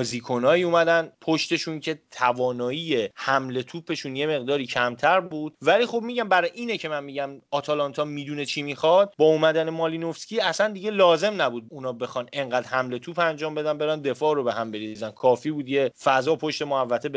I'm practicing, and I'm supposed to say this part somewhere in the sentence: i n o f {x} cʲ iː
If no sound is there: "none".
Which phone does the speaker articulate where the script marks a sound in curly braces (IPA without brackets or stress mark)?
s